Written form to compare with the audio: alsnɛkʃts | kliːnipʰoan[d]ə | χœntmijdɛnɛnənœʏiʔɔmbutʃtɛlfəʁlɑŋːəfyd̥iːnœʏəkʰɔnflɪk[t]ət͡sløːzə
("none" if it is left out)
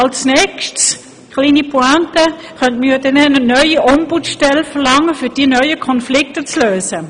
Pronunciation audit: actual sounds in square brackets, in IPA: t, t

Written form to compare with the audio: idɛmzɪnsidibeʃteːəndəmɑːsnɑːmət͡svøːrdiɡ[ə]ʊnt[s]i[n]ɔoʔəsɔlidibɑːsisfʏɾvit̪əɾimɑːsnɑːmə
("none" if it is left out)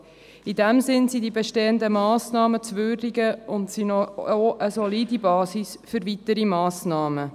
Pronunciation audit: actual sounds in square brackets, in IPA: ə, s, n

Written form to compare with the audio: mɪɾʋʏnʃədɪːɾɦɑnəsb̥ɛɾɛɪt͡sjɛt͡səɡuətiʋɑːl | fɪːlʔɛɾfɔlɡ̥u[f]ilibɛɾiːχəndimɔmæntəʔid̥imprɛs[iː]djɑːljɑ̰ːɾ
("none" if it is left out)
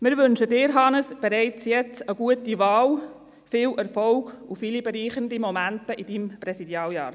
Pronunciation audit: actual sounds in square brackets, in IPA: f, i

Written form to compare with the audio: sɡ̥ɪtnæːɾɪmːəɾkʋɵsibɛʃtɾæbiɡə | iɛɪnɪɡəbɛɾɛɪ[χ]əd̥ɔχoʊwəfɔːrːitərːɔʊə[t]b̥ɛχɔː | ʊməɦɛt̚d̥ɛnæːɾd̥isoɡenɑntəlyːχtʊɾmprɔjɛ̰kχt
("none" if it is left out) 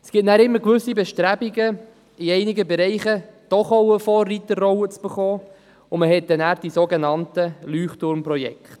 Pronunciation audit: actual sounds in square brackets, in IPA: χ, t͡s

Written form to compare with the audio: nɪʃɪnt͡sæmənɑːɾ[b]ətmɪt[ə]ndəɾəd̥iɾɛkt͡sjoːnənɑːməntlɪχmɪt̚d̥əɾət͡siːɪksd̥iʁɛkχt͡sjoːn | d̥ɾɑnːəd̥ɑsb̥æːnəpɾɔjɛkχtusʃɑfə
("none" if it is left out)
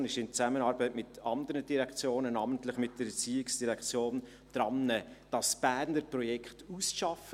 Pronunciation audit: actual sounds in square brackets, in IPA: b, ɑ

